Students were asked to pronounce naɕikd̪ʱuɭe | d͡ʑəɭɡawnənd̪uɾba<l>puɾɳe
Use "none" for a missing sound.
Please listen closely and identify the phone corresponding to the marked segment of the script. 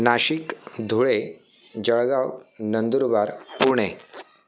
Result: ɾ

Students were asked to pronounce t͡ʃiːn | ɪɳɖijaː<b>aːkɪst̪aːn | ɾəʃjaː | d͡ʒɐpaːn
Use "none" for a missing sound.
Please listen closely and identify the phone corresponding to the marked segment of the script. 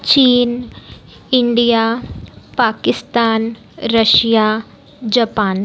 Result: p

